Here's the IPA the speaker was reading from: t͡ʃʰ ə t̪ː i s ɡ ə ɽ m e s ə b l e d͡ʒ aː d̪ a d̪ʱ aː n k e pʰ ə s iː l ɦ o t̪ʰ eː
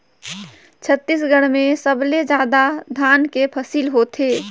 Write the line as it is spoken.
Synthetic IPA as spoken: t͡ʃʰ ə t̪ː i s ɡ ə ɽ m e s ə b l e d͡ʒ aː d̪ a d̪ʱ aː n k e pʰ ə s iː l ɦ o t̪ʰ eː